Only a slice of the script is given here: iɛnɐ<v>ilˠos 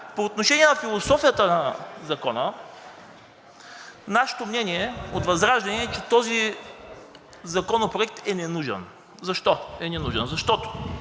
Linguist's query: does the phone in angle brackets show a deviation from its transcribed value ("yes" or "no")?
yes